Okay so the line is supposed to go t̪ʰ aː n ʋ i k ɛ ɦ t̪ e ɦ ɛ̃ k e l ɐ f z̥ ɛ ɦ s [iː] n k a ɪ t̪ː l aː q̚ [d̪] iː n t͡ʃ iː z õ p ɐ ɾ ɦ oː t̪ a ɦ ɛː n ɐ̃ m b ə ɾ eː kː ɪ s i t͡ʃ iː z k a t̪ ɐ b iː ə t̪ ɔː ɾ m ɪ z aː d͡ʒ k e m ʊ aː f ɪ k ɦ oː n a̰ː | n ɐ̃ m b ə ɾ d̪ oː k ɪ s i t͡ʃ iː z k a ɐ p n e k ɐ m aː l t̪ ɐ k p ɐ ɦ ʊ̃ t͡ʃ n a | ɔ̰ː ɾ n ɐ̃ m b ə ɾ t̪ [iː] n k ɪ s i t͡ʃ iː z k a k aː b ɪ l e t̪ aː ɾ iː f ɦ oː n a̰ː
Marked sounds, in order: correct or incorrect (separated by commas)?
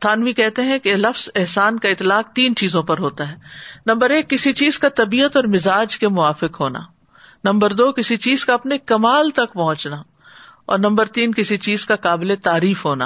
incorrect, incorrect, correct